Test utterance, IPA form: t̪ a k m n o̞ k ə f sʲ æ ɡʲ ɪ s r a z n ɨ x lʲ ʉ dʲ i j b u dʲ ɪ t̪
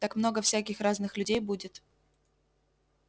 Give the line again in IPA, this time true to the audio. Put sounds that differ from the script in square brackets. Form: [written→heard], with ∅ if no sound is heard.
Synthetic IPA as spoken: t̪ a k m n o̞ [k→ɡ] ə f sʲ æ [ɡʲ→kʲ] ɪ [s→x] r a z n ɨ x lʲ ʉ dʲ [i→e] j b u dʲ ɪ t̪